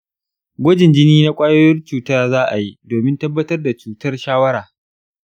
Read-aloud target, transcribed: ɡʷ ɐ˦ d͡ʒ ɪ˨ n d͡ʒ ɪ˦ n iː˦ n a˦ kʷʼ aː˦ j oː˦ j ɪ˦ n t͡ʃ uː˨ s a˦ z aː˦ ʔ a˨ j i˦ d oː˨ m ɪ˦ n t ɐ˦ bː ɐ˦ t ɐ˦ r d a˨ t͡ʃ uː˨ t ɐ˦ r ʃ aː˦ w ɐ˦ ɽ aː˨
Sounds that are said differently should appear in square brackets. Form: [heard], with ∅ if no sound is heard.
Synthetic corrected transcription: ɡʷ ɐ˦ d͡ʒ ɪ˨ n d͡ʒ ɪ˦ n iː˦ n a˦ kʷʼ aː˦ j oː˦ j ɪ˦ n t͡ʃ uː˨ [t] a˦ z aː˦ ʔ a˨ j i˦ d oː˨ m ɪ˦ n t ɐ˦ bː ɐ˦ t ɐ˦ r d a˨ t͡ʃ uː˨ t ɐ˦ r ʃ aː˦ w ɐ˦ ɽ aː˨